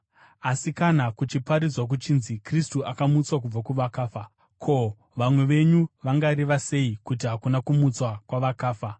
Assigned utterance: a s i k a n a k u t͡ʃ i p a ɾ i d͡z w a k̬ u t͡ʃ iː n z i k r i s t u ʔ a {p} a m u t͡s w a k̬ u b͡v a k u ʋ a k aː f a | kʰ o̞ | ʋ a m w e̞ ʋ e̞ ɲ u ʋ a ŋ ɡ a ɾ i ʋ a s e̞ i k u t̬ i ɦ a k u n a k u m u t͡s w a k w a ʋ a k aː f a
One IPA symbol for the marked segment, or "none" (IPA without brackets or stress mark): k